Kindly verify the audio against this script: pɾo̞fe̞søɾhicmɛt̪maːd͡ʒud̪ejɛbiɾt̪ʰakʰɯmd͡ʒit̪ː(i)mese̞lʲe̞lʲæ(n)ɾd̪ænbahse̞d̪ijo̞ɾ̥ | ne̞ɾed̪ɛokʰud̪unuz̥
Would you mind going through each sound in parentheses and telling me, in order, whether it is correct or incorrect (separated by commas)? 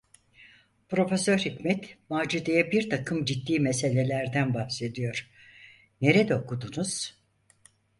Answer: incorrect, incorrect